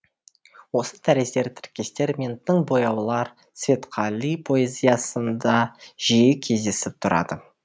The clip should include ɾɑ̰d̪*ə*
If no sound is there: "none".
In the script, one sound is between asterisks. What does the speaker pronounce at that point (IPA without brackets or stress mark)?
ə